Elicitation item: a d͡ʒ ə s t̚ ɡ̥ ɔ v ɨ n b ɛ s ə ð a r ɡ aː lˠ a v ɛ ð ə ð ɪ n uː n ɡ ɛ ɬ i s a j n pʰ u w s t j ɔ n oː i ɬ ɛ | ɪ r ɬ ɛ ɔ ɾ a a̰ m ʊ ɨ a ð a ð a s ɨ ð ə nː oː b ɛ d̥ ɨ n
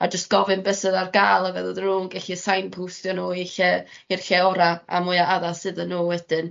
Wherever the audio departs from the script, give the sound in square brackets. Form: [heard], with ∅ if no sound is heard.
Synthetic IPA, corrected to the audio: a d͡ʒ ə s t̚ ɡ̥ ɔ v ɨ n b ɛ s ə ð a r ɡ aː lˠ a v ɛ ð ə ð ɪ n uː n ɡ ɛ ɬ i s a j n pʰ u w s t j ɔ n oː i ɬ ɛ | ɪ r ɬ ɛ ɔ ɾ a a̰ m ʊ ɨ a [∅] a ð a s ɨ ð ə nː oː [w] ɛ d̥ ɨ n

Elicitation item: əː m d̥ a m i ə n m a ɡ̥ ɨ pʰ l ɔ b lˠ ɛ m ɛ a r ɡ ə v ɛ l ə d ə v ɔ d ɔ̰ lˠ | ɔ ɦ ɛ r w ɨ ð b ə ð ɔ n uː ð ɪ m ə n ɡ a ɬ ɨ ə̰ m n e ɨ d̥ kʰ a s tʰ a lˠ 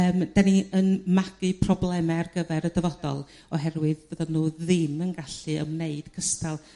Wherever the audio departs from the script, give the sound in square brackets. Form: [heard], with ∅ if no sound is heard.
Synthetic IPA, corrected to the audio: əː m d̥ a [n] i ə n m a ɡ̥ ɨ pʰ [r] ɔ b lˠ ɛ m ɛ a r ɡ ə v ɛ [ɾ] ə d ə v ɔ d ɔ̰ lˠ | ɔ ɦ ɛ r w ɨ ð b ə ð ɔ n uː ð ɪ m ə n ɡ a ɬ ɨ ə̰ m n e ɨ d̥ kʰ [ə] s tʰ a lˠ

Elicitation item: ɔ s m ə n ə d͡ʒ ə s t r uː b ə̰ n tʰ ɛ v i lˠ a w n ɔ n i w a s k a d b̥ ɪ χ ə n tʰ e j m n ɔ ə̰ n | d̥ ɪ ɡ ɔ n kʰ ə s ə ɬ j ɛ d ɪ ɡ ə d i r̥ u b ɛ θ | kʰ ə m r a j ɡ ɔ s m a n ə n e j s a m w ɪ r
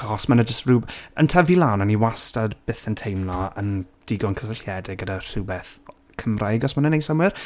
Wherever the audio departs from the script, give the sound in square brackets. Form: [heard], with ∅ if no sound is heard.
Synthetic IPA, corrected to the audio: ɔ s m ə n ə d͡ʒ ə s t r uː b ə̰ n tʰ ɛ v i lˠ a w n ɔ n i w a s [t] a d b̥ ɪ [θ] ə n tʰ e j m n ɔ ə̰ n | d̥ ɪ ɡ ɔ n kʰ ə s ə ɬ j ɛ d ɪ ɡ ə d [a] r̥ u b ɛ θ | kʰ ə m r a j ɡ ɔ s m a n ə n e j s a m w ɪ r

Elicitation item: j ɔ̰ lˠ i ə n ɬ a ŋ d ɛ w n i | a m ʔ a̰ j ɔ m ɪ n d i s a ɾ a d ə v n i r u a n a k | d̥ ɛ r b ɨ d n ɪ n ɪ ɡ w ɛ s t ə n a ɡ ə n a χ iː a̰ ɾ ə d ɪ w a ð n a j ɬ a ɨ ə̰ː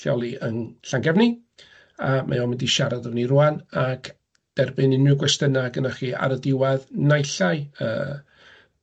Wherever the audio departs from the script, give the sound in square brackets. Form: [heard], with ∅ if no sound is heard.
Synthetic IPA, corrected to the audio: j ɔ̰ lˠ i ə n ɬ a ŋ [ɡ] ɛ [v] n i | a m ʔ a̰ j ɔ m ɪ n d i [ʃ] a ɾ a d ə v n i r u a n a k | d̥ ɛ r b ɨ [∅] n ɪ n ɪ ɡ w ɛ s t ə n a ɡ ə n a χ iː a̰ ɾ ə d ɪ w a ð n a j ɬ a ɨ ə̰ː

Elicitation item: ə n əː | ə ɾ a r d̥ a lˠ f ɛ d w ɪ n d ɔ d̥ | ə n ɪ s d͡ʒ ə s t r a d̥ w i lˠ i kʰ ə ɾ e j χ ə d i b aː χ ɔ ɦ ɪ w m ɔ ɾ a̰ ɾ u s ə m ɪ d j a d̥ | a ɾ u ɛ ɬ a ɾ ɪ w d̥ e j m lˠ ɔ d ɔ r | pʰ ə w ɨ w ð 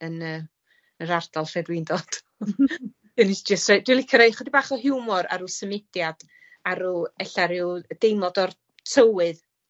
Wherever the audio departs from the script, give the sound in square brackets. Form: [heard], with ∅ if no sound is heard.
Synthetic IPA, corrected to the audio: ə n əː | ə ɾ a r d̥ a lˠ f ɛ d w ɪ n d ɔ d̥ | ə n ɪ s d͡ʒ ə s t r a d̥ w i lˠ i kʰ ə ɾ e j χ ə d i b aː χ ɔ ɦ ɪ w m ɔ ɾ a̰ ɾ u s ə m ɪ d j a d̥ | a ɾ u ɛ ɬ a ɾ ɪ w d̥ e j m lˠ ɔ d ɔ r | [tʰ] ə w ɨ [∅] ð

